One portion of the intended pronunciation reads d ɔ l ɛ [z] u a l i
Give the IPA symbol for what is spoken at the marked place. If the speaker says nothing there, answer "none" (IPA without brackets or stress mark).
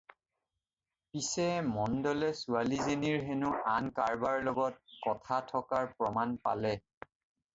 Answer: s